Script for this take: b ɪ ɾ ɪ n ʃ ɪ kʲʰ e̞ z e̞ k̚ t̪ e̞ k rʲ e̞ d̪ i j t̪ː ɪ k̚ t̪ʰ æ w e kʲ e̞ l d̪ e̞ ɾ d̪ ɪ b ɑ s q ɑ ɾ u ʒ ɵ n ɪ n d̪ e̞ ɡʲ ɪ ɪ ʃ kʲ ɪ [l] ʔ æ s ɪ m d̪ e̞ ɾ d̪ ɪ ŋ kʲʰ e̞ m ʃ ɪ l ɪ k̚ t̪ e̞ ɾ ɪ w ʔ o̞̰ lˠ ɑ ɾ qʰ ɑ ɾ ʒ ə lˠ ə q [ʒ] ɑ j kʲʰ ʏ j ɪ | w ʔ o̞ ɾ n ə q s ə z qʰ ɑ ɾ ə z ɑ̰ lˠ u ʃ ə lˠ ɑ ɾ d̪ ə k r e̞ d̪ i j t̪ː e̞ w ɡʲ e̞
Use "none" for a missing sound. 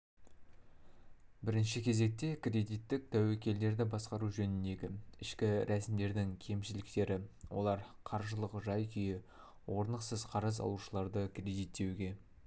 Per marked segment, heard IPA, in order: ɾ, ʒ

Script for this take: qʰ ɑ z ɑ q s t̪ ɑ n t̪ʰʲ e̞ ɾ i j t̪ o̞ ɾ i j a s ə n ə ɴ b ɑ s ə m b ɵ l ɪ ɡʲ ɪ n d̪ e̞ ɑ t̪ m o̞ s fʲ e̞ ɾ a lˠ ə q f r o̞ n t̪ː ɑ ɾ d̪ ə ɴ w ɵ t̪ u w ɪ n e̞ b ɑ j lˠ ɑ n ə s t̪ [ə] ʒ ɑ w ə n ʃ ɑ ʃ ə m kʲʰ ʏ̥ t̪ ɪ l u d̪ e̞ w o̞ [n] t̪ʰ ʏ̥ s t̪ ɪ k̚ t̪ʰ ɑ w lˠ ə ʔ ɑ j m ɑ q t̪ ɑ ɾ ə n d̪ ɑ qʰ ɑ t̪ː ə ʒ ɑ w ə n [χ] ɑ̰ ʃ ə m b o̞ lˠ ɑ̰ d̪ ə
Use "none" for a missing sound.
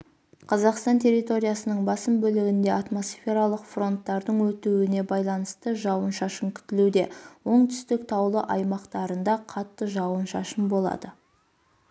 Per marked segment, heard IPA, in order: ə, ɴ, ʃ

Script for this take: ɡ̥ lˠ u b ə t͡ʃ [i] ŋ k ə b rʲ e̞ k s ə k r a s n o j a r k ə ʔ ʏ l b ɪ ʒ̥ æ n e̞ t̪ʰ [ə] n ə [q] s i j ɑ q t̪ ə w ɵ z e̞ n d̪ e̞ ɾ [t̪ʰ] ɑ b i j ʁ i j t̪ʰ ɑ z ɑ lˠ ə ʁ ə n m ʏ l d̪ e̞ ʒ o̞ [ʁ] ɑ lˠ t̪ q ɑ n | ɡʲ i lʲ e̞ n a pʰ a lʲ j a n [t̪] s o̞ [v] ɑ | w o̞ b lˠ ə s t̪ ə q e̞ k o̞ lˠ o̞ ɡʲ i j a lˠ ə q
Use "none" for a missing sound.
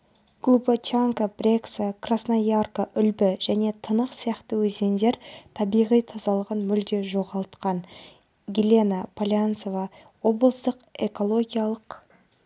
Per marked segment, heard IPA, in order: a, ə, q, t̪ʰ, ʁ, t̪, v

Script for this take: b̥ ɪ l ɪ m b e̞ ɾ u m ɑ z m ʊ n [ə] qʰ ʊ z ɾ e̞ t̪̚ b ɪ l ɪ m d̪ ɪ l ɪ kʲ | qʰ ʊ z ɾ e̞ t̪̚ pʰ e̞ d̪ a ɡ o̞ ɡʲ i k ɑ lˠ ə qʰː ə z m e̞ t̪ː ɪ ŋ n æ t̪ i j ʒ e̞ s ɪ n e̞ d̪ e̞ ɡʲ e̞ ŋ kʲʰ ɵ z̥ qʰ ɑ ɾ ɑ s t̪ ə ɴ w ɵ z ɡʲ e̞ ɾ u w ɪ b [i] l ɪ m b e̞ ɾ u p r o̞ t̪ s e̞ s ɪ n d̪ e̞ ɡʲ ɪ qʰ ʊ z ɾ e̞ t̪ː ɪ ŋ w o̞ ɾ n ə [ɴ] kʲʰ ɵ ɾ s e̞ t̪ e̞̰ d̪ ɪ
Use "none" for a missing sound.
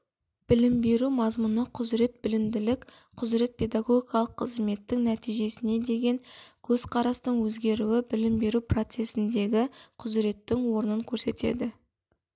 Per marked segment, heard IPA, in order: ə, ɪ, ŋ

